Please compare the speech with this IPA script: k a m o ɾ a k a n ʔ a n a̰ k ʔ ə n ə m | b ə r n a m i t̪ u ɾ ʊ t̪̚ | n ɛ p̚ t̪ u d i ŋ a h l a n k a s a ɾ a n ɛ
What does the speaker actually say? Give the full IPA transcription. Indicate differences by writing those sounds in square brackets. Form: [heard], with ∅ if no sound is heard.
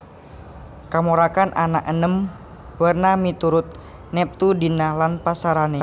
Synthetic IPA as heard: k a m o ɾ a k a n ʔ a n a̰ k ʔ ə n ə m | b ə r n a m i t̪ u ɾ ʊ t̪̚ | n ɛ p̚ t̪ u d i [n] a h l a n [p] a s a ɾ a n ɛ